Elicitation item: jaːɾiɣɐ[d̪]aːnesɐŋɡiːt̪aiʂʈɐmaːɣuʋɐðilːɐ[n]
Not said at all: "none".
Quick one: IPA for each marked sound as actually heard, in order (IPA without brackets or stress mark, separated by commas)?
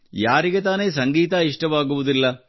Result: t̪, none